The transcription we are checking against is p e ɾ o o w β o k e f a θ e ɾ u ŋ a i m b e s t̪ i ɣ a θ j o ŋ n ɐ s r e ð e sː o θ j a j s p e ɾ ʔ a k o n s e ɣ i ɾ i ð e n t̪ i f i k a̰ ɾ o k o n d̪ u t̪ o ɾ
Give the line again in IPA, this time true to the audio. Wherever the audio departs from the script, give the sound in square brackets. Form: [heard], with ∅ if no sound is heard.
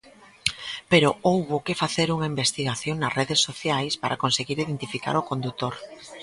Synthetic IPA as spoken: p e ɾ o o w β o k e f a θ e ɾ u ŋ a i m b e s t̪ i ɣ a θ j o ŋ n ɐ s r e ð e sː o θ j a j s p [a] ɾ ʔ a k o n s e ɣ i ɾ i ð e n t̪ i f i k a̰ ɾ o k o n d̪ u t̪ o ɾ